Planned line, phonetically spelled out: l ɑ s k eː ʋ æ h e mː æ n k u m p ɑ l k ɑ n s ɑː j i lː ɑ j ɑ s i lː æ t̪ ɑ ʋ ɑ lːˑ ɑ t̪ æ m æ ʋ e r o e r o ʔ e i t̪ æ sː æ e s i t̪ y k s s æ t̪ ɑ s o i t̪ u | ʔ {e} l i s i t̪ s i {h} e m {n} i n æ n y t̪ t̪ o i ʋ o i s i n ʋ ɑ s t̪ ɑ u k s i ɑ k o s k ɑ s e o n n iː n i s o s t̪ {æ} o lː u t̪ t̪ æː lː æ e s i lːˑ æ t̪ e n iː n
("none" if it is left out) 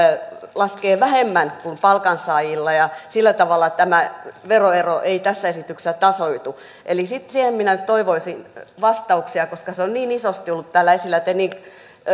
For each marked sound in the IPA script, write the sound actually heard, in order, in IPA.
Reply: e, h, m, i

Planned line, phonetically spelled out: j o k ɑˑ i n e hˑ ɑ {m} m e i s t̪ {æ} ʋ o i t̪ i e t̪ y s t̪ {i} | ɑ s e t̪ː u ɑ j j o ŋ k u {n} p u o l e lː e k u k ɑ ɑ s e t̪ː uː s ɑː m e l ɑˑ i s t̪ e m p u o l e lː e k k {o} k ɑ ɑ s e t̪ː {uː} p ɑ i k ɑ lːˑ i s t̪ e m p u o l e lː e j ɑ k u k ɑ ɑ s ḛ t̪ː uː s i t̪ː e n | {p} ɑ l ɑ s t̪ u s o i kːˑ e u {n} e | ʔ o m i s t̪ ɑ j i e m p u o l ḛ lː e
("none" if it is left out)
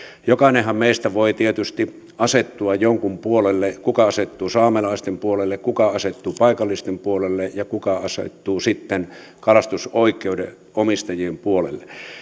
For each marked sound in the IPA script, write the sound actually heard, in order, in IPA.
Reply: m, æ, i, m, u, uː, k, d

